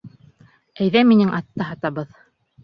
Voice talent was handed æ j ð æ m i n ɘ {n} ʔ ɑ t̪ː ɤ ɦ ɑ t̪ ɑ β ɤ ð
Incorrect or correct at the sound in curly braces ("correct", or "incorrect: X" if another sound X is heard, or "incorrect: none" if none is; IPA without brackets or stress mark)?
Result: incorrect: ŋ